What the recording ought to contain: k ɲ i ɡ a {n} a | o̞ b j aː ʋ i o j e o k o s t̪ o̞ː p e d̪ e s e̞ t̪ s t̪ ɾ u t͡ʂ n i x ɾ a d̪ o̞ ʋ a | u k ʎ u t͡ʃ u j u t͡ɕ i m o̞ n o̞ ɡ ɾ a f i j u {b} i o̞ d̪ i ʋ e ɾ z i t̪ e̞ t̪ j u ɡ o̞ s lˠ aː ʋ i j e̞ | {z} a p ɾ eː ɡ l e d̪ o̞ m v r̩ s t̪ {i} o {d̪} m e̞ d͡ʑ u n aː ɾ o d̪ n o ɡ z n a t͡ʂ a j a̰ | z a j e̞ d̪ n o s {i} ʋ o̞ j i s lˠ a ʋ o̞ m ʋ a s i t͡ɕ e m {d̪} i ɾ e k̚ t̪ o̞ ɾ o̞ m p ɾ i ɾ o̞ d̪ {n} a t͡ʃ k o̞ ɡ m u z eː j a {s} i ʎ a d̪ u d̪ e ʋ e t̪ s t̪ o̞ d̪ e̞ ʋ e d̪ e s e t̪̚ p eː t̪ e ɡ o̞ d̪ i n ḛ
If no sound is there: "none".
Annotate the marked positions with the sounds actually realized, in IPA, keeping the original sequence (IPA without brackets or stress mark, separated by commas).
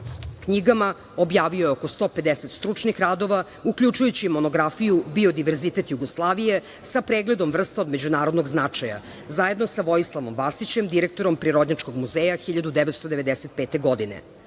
m, b, s, a, d̪, a, d̪, ɲ, x